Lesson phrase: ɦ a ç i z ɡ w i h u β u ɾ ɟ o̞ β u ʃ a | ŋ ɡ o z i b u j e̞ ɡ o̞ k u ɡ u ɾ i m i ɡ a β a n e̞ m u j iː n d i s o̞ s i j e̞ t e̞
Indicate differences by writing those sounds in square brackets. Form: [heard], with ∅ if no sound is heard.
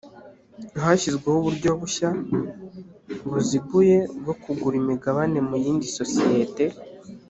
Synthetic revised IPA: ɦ a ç i z ɡ w [e] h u β u ɾ ɟ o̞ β u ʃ a | ŋ ɡ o z i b u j e̞ ɡ o̞ k u ɡ u ɾ i m i ɡ a β a n e̞ m u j iː n d i s o̞ s i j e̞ t e̞